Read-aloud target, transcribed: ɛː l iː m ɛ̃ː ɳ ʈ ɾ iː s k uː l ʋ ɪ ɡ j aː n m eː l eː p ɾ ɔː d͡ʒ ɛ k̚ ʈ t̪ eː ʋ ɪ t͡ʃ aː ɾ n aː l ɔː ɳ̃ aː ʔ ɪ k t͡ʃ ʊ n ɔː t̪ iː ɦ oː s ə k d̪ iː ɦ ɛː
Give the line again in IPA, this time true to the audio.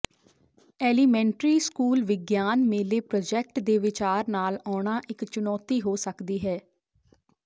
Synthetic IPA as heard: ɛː l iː m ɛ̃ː ɳ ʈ ɾ iː s k uː l ʋ ɪ ɡ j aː n m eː l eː p ɾ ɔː d͡ʒ ɛ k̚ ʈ d̪ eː ʋ ɪ t͡ʃ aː ɾ n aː l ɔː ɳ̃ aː ʔ ɪ k t͡ʃ ʊ n ɔː t̪ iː ɦ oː s ə k d̪ iː ɦ ɛː

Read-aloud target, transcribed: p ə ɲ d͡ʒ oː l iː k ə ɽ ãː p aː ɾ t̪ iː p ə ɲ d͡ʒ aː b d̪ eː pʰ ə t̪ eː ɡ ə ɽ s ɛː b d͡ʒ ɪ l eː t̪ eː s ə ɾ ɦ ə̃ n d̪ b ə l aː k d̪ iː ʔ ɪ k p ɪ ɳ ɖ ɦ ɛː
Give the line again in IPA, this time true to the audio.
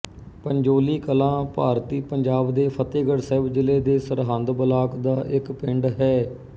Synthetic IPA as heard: p ə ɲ d͡ʒ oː l iː k ə l ãː p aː ɾ t̪ iː p ə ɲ d͡ʒ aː b d̪ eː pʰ ə t̪ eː ɡ ə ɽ s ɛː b d͡ʒ ɪ l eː d̪ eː s ə ɾ ɦ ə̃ n d̪ b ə l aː k d̪ aː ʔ ɪ k p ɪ ɳ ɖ ɦ ɛː

